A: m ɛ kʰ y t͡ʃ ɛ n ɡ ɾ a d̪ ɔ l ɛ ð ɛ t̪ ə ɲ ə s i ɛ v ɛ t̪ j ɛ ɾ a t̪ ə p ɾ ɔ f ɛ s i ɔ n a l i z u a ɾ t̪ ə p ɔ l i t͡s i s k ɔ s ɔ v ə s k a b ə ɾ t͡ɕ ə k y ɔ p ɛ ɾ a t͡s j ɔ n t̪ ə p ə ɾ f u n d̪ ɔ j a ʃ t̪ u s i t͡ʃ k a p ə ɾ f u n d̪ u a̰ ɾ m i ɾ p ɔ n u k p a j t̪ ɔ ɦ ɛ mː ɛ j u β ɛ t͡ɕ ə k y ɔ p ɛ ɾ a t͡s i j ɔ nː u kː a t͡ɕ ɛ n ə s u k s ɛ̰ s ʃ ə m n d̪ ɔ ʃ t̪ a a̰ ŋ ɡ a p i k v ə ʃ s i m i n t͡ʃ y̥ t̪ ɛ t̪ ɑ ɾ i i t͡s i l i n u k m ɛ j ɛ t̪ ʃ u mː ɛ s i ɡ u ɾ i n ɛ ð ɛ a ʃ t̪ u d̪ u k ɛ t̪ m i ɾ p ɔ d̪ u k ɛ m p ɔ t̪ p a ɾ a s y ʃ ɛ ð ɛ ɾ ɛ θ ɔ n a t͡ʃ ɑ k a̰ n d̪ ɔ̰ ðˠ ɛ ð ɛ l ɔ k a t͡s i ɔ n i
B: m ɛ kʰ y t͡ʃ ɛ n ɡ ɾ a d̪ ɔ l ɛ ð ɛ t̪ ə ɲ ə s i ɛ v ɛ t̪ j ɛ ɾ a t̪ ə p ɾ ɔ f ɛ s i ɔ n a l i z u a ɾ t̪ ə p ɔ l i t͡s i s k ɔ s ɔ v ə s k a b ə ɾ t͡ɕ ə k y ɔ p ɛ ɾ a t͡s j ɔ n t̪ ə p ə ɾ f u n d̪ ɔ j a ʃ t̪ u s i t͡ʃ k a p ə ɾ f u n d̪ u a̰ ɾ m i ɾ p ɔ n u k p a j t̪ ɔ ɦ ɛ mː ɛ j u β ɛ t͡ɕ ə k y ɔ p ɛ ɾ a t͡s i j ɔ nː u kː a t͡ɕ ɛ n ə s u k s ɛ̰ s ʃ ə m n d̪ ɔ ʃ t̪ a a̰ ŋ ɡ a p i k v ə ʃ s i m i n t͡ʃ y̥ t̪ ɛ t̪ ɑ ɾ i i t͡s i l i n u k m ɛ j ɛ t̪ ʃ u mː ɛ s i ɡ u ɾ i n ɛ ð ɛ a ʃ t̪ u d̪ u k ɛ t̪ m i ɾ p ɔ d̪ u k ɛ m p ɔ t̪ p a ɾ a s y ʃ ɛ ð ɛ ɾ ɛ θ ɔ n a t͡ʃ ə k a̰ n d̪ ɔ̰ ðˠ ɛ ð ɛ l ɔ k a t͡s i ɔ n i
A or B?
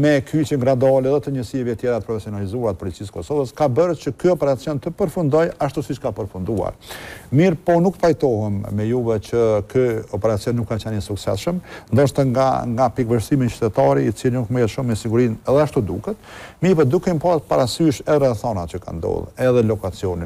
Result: B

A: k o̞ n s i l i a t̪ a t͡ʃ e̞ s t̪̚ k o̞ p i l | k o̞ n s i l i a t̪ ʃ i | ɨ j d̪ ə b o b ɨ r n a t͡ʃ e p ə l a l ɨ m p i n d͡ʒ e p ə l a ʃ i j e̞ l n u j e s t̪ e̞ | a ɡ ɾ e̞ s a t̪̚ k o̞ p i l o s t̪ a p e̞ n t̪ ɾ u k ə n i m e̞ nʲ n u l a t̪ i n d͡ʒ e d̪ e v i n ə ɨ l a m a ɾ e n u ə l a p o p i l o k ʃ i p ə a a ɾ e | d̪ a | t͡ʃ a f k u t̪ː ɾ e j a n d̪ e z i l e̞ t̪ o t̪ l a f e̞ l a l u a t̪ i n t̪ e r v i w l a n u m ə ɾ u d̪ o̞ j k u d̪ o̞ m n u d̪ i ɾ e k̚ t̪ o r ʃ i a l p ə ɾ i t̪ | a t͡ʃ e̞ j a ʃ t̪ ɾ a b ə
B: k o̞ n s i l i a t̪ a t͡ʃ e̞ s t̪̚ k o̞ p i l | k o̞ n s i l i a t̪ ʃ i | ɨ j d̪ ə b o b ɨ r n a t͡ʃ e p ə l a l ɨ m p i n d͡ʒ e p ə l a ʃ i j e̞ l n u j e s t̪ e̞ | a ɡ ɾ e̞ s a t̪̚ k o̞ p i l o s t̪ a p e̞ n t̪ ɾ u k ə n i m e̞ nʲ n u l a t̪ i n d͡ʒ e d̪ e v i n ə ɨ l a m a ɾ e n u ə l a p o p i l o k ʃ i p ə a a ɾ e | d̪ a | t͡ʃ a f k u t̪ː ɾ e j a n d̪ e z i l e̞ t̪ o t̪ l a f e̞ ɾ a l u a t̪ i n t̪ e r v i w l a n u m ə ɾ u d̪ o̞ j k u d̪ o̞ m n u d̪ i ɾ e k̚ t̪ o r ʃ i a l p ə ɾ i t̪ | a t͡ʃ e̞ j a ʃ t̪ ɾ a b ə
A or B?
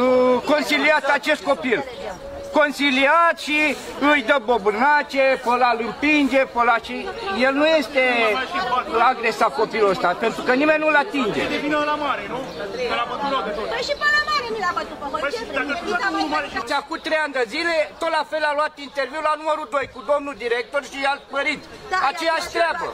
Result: A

